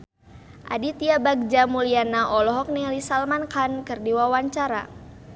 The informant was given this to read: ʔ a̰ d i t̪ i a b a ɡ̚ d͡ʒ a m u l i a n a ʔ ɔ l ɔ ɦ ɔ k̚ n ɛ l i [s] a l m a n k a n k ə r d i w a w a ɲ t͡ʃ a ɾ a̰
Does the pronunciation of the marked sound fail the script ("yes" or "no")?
no